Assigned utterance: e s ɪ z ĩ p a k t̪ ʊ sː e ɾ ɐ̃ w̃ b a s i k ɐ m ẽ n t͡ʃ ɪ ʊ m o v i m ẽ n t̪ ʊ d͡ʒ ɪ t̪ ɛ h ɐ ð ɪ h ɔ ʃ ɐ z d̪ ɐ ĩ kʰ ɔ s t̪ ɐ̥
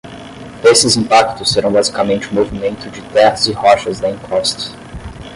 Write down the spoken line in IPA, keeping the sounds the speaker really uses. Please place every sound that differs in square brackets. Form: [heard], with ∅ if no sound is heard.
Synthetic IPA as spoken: e s ɪ z ĩ p a k t̪ ʊ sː e ɾ ɐ̃ w̃ b a [z] i k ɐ m ẽ n t͡ʃ ɪ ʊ m o v i m ẽ n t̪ ʊ d͡ʒ ɪ t̪ ɛ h ɐ [z] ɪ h ɔ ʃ ɐ z d̪ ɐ ĩ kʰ ɔ s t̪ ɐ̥